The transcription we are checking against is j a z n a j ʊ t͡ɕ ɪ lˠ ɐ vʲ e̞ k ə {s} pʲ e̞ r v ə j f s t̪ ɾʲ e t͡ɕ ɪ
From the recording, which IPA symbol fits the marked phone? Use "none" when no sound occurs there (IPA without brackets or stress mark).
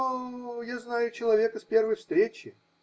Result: s